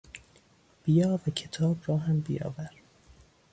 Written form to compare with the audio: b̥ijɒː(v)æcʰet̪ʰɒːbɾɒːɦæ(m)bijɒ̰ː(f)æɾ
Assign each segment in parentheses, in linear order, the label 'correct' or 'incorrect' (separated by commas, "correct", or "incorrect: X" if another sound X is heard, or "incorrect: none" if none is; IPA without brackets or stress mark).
correct, correct, incorrect: v